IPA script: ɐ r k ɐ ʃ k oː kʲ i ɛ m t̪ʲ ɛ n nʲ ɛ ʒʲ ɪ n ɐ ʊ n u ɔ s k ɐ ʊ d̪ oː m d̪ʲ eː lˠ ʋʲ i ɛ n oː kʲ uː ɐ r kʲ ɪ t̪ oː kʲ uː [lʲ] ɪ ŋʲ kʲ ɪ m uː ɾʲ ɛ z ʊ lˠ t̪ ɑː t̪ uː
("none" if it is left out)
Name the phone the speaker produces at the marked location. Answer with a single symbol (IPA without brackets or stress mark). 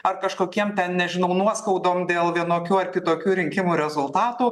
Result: ɾʲ